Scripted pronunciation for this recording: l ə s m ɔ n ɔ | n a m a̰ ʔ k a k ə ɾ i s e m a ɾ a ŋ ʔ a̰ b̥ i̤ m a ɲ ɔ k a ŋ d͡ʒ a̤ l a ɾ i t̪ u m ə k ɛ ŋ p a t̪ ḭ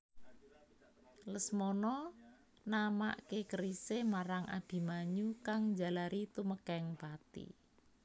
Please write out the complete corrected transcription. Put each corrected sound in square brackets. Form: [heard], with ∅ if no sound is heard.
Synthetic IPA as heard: l ə s m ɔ n ɔ | n a m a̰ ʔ k [e] k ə ɾ i s e m a ɾ a ŋ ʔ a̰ b̥ i̤ m a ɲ [u] k a ŋ d͡ʒ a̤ l a ɾ i t̪ u m ə k ɛ ŋ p a t̪ ḭ